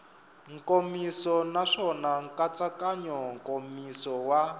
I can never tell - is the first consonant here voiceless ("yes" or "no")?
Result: no